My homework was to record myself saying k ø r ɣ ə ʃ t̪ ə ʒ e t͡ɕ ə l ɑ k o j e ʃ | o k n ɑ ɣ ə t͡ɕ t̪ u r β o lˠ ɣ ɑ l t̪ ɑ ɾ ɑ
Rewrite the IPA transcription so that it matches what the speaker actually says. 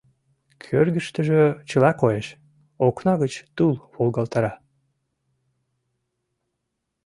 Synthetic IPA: kʰ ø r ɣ ə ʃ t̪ ə ʒ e t͡ɕ ə l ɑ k o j e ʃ | o k n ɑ ɣ ə t͡ɕ t̪ u l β o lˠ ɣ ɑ l t̪ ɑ ɾ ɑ

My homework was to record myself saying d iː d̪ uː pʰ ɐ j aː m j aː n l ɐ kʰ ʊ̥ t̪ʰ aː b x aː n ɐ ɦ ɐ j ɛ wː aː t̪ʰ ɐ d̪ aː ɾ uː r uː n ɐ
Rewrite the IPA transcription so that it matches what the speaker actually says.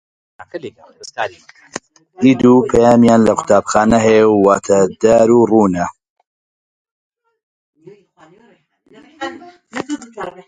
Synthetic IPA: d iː d̪ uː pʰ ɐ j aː m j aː n l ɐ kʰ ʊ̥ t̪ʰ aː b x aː n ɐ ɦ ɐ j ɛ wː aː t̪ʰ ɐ d̪ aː ɾ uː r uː n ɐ

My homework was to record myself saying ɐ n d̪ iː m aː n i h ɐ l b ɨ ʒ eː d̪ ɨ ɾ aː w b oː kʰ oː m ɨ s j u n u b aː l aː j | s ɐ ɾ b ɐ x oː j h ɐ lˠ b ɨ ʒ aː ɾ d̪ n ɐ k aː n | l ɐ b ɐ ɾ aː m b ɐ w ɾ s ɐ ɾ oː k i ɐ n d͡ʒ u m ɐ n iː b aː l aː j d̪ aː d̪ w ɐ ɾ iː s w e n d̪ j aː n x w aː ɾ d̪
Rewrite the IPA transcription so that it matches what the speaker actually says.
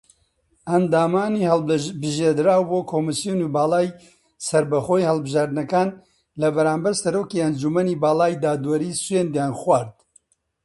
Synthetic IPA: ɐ n d̪ aː m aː n i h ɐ l b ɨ ʒ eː d̪ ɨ ɾ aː w b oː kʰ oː m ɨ s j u n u b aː l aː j | s ɐ ɾ b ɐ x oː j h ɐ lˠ b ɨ ʒ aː ɾ d̪ n ɐ k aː n | l ɐ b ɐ ɾ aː m b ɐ ɾ s ɐ ɾ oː k i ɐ n d͡ʒ u m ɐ n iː b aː l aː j d̪ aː d̪ w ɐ ɾ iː s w e n d̪ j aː n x w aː ɾ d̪

